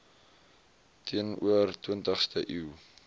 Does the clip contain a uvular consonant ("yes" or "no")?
yes